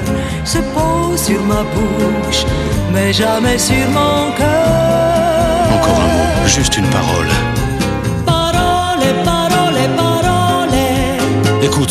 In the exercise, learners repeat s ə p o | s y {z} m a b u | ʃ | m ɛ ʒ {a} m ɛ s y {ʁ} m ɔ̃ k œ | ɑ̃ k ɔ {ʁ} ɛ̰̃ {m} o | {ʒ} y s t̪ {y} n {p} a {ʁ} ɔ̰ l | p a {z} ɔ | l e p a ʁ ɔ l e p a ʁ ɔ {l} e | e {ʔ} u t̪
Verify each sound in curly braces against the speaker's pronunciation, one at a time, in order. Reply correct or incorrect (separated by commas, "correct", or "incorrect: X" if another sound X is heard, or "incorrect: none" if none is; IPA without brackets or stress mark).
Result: incorrect: ʁ, correct, correct, correct, correct, correct, correct, correct, correct, incorrect: ʁ, correct, incorrect: k